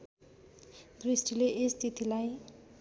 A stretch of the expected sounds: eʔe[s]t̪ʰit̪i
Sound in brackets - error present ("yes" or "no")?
no